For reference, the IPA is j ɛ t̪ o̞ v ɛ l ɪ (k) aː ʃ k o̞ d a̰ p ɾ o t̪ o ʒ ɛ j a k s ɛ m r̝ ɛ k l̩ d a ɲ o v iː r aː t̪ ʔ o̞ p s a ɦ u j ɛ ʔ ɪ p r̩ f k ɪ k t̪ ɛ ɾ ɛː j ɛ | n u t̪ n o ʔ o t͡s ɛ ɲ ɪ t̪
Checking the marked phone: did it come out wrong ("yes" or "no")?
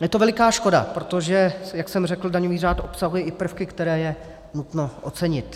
no